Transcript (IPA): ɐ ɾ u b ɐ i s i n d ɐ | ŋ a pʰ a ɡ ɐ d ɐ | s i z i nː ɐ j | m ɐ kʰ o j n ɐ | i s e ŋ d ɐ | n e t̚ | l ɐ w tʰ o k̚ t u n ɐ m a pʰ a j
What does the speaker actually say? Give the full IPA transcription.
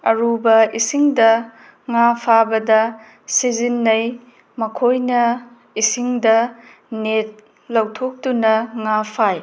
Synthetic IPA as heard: ɐ ɾ u b ɐ i s i ŋ d ɐ | ŋ a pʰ a b ɐ d ɐ | s i z i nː ɐ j | m ɐ kʰ o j n ɐ | i s i ŋ d ɐ | n e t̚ | l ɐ w tʰ o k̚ t u n ɐ ŋ a pʰ a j